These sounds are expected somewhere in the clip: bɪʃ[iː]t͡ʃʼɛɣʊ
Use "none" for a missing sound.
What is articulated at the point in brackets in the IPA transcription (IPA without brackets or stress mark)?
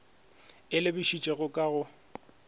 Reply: i